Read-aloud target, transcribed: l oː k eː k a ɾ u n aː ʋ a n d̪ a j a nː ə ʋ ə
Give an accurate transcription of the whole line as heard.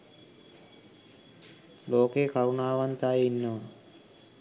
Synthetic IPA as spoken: l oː k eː k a ɾ u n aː ʋ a n t̪ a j i nː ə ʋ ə